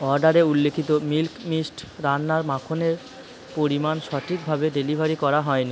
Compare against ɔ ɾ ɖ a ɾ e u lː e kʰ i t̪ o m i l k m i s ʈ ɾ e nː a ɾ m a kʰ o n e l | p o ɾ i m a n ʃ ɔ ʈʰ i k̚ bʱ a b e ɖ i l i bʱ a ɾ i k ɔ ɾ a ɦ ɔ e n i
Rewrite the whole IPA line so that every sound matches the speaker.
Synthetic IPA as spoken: ɔ ɾ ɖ a ɾ e u lː e kʰ i t̪ o m i l k m i s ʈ ɾ a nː a ɾ m a kʰ o n e ɾ | p o ɾ i m a n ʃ ɔ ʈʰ i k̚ bʱ a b e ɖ e l i bʱ a ɾ i k ɔ ɾ a ɦ ɔ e n i

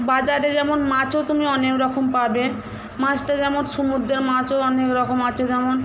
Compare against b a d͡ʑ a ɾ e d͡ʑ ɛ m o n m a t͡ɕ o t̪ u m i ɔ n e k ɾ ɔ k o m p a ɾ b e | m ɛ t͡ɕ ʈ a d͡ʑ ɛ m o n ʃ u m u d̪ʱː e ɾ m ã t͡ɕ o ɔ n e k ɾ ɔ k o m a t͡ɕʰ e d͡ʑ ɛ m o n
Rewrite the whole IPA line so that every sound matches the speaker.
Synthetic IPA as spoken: b a d͡ʑ a ɾ e d͡ʑ ɛ m o n m a t͡ɕ o t̪ u m i ɔ n e k ɾ ɔ k o m p a ɾ b e | m a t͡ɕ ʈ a d͡ʑ ɛ m o n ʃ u m u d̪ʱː e ɾ m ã t͡ɕ o ɔ n e k ɾ ɔ k o m a t͡ɕʰ e d͡ʑ ɛ m o n

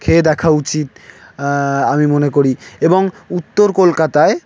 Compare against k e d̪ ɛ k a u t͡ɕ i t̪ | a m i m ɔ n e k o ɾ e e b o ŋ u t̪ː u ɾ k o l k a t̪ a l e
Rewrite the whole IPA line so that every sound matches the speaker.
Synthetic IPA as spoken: kʰ e d̪ ɛ kʰ a u t͡ɕ i t̪ | a m i m o n e k o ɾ i e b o ŋ u t̪ː o ɾ k o l k a t̪ a e

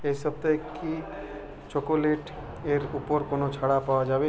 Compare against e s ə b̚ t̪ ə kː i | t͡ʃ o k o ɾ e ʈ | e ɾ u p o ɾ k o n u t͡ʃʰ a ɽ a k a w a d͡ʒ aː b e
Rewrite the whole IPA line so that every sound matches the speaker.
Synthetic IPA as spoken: e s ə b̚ t̪ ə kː i | t͡ʃ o k o l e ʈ | e ɾ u p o ɾ k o n o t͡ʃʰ a ɽ a p a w a d͡ʒ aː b e

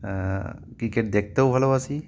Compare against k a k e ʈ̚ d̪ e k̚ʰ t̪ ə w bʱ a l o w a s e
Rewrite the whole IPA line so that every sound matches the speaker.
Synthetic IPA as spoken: k i k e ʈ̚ d̪ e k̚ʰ t̪ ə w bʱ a l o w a s i

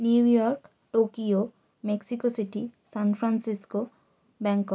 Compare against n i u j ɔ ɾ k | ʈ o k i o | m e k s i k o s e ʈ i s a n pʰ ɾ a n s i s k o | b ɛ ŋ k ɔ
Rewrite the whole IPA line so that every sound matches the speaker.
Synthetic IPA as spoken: n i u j ɔ ɾ k | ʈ o k i o | m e k s i k o s i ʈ i s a n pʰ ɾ a n s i s k o | b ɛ ŋ k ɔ

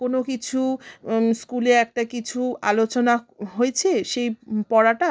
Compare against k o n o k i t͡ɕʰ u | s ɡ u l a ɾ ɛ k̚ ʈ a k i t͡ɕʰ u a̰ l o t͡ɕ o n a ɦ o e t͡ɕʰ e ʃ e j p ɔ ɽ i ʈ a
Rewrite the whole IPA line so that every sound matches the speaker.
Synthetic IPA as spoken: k o n o k i t͡ɕʰ u | s k u l e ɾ ɛ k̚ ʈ a k i t͡ɕʰ u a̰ l o t͡ɕ o n a ɦ o e t͡ɕʰ e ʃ e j p ɔ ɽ a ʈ a

